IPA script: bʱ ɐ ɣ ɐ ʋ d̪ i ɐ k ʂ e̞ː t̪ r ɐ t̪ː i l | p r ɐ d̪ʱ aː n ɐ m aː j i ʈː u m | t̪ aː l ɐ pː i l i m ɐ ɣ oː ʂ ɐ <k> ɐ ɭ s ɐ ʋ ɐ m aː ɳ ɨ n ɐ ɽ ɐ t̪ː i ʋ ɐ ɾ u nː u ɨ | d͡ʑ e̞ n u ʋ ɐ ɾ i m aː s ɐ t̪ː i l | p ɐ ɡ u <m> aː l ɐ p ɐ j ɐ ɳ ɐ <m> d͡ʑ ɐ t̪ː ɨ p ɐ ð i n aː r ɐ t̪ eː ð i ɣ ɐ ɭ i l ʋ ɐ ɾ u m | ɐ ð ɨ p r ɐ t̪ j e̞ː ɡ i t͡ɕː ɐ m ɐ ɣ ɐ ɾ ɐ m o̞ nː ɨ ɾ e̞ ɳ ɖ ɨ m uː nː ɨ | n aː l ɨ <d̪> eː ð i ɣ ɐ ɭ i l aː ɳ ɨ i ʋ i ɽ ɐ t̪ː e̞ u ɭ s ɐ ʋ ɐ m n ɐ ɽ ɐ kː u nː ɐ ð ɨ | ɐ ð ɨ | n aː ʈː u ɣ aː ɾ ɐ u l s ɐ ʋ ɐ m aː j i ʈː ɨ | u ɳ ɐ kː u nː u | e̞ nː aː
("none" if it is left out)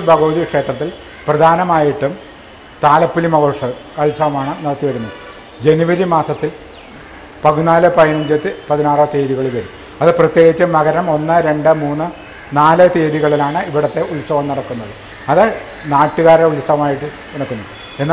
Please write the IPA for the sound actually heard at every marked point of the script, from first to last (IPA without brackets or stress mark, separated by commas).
k, n, ɲ, t̪